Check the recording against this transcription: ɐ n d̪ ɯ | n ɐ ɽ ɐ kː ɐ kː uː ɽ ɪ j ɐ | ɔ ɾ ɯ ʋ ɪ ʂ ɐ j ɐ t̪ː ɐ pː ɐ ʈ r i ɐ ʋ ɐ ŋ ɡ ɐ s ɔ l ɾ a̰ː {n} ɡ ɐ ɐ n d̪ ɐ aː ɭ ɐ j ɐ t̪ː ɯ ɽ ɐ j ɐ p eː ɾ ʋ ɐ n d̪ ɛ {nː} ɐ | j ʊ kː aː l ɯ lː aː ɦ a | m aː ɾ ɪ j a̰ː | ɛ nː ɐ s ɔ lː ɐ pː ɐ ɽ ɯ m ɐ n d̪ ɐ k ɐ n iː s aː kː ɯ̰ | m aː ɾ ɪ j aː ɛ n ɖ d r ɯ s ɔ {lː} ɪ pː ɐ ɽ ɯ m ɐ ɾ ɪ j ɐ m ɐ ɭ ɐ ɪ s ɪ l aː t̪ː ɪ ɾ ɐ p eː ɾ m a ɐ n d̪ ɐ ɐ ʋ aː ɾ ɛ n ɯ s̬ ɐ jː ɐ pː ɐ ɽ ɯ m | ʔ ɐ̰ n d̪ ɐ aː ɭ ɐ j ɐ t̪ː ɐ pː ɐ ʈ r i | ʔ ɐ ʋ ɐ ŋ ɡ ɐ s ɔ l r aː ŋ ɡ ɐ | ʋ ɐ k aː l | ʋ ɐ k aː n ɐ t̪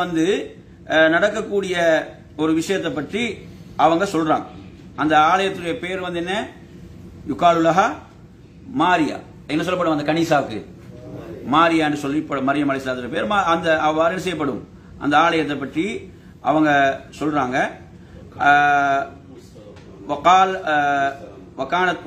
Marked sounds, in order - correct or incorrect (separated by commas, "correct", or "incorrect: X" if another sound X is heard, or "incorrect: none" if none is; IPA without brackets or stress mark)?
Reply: incorrect: ŋ, correct, correct